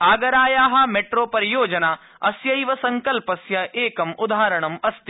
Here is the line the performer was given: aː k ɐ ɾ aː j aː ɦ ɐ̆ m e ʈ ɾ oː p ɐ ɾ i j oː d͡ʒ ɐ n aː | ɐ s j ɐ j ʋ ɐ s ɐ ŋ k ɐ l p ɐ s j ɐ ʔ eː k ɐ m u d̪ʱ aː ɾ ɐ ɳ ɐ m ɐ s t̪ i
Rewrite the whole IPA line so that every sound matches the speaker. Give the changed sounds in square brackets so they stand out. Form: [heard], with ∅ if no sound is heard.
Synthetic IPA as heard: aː [ɡ] ɐ ɾ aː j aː ɦ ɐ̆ m e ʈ ɾ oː p ɐ ɾ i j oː d͡ʒ ɐ n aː | ɐ s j ɐ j ʋ ɐ s ɐ ŋ k ɐ l p ɐ s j ɐ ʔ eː k ɐ m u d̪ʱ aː ɾ ɐ ɳ ɐ m ɐ s t̪ i